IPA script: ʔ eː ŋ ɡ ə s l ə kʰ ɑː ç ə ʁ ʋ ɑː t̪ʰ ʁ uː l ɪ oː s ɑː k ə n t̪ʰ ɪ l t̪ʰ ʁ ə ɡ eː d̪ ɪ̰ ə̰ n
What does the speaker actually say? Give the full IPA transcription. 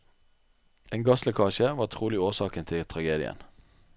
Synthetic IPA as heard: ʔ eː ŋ ɡ ɑ s l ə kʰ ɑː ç ə ʋ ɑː t̪ʰ ʁ uː l ɪ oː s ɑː k ə n t̪ʰ ɪ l t̪ʰ ʁ ɑ ɡ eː d̪ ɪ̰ ə̰ n